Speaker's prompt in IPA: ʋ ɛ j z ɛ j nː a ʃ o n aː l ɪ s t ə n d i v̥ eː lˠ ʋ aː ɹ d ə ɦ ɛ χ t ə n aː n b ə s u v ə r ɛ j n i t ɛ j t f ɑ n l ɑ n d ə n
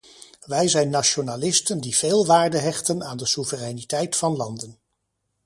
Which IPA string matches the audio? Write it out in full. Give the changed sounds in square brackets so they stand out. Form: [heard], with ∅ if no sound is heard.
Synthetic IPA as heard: ʋ ɛ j z ɛ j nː a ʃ o n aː l ɪ s t ə n d i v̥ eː lˠ ʋ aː ɹ d ə ɦ ɛ χ t ə n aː n [d] ə s u v ə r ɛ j n i t ɛ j t f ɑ n l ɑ n d ə n